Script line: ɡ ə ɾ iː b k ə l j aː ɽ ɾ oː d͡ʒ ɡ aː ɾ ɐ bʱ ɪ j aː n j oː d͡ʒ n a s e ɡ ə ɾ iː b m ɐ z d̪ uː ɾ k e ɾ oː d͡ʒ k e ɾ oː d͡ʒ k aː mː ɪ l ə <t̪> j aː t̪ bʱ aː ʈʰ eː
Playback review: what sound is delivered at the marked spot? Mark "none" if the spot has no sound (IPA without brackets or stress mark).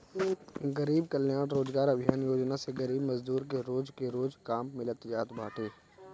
t̪